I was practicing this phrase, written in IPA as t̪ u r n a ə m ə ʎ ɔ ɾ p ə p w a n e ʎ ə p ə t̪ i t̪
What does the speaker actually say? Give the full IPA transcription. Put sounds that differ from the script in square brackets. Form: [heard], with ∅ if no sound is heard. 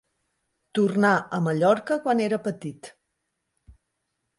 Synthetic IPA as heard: t̪ u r n a ə m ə ʎ ɔ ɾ [k] ə [k] w a n e [ɾ] ə p ə t̪ i t̪